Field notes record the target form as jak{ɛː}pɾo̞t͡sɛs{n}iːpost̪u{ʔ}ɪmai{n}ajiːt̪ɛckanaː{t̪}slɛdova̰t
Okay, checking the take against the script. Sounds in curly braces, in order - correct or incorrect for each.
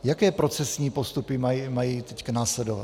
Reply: correct, incorrect: ɲ, incorrect: p, incorrect: m, incorrect: none

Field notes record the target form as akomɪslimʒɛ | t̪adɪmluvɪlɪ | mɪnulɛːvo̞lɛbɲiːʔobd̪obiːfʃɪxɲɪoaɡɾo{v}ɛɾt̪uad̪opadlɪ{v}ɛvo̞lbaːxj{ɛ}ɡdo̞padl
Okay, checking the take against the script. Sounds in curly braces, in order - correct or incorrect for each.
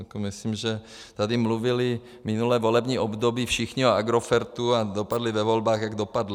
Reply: incorrect: f, correct, incorrect: a

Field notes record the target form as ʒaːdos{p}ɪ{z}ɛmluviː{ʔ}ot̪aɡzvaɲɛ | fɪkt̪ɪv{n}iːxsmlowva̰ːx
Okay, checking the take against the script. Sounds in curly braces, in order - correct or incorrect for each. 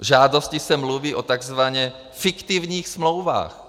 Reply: incorrect: c, incorrect: s, correct, incorrect: ɲ

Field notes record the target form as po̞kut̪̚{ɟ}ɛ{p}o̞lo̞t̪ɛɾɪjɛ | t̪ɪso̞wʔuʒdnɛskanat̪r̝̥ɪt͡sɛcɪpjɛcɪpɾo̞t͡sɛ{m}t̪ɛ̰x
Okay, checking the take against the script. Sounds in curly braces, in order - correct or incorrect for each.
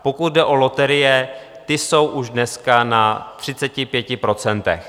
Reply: incorrect: d, incorrect: ʔ, incorrect: n

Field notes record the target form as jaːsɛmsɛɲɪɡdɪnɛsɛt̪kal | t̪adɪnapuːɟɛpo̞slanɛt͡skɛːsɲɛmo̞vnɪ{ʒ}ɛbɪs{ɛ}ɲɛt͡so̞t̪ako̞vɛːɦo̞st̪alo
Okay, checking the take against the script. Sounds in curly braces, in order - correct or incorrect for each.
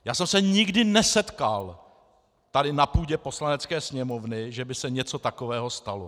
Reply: correct, correct

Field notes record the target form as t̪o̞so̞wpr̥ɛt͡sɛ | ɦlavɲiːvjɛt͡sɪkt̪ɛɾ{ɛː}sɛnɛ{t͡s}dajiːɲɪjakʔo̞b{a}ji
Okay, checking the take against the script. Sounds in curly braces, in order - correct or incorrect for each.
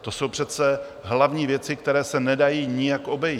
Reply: correct, incorrect: none, incorrect: ɛ

